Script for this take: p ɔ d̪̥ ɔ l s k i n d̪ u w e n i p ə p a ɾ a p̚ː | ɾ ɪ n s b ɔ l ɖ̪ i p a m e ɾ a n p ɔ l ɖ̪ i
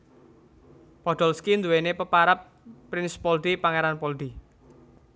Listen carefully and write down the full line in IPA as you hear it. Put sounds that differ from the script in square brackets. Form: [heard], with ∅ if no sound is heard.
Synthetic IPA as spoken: p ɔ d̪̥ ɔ l s k i n d̪ u w e n [e] p ə p a ɾ a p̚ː | ɾ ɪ n s [p] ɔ l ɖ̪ i p a [ŋ] e ɾ a n p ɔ l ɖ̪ i